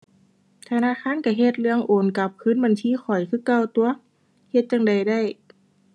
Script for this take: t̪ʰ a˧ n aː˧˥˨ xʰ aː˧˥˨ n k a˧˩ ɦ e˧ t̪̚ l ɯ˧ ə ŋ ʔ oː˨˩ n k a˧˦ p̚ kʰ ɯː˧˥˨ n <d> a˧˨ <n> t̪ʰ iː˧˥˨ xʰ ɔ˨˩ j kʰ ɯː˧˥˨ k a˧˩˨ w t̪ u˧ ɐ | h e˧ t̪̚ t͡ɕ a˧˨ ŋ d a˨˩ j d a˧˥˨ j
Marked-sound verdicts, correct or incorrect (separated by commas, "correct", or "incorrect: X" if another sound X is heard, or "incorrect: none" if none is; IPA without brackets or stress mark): incorrect: b, correct